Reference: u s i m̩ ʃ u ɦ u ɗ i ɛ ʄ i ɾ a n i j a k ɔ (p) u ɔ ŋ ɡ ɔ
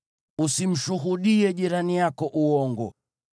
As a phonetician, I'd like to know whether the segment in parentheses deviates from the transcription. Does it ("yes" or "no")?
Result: yes